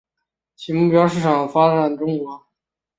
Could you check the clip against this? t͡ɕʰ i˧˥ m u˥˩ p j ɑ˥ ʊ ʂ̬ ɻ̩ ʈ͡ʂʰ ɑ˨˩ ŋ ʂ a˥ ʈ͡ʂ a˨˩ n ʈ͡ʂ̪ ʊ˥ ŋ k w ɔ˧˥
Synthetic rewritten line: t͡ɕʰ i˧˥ m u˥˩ p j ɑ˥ ʊ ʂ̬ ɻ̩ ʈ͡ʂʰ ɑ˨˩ ŋ f a˥ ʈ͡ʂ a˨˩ n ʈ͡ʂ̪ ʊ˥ ŋ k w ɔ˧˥

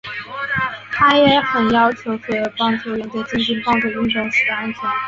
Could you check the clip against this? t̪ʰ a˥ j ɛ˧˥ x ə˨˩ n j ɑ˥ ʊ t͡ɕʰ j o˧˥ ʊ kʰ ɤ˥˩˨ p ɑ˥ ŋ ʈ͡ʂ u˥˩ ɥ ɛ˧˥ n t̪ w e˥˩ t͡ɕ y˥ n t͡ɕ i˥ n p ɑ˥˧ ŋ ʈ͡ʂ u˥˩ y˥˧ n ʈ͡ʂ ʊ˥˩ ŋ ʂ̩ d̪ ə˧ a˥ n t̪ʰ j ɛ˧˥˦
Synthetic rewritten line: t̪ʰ a˥ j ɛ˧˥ x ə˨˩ n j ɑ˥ ʊ t͡ɕʰ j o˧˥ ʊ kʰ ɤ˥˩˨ p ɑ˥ ŋ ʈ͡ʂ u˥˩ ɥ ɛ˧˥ n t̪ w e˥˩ t͡ɕ i˥ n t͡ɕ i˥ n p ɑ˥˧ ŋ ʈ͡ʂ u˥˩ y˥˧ n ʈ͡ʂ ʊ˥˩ ŋ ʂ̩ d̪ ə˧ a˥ n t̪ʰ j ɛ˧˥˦

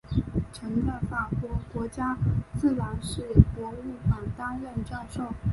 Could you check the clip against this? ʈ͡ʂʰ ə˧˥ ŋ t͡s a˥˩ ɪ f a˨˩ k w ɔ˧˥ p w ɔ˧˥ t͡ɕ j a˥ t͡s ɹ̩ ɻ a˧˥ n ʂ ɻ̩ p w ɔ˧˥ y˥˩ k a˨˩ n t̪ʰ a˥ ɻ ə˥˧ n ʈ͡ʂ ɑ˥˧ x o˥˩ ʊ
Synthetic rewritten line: ʈ͡ʂʰ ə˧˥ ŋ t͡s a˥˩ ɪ f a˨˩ k w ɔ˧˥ k w ɔ˧˥ t͡ɕ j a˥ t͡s ɹ̩ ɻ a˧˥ n ʂ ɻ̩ p w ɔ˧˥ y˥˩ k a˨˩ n t̪ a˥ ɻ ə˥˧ n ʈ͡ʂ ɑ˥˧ ʂ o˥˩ ʊ

